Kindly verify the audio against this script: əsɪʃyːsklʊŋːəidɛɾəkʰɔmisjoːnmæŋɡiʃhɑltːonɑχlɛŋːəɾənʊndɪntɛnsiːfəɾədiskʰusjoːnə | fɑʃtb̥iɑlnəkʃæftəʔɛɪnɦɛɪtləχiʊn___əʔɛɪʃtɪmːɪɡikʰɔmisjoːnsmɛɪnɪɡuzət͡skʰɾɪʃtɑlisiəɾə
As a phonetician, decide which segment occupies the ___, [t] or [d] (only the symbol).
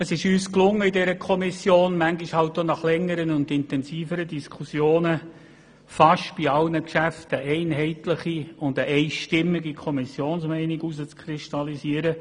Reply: d